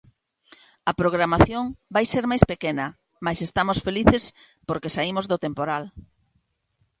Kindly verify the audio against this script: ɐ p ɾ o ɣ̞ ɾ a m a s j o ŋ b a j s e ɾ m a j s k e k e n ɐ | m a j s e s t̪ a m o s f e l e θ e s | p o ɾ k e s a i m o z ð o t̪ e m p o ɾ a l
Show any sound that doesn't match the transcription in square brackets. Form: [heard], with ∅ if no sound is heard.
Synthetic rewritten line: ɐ p ɾ o ɣ̞ ɾ a m a [θ] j o ŋ b a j s e ɾ m a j s [p] e k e n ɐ | m a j s e s t̪ a m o s f e l [i] θ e s | p o ɾ k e s a i m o z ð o t̪ e m p o ɾ a l